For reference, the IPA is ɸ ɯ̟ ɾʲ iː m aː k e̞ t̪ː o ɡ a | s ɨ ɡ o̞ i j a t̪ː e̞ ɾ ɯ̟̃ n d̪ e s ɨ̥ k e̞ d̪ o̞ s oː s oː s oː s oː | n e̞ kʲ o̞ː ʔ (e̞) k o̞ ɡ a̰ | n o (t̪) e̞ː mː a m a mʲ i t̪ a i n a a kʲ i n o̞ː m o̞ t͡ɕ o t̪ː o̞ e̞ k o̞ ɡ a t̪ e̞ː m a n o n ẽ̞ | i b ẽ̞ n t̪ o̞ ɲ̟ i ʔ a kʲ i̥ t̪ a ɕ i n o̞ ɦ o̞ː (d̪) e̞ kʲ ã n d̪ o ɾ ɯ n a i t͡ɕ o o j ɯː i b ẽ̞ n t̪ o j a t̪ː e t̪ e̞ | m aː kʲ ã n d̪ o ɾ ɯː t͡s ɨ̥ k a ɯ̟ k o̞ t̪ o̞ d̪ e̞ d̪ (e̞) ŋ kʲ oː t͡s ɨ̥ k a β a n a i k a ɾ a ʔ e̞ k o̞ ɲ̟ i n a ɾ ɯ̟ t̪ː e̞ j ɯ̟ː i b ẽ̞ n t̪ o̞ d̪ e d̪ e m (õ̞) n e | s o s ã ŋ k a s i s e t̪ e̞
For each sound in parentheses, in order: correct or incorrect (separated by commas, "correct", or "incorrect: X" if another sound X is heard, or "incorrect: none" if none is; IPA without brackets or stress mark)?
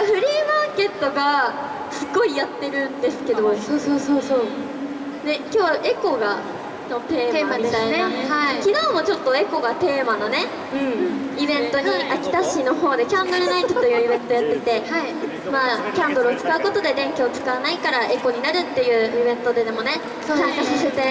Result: correct, correct, correct, incorrect: ẽ̞, incorrect: o̞